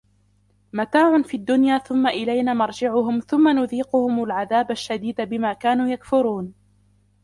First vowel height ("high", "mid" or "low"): low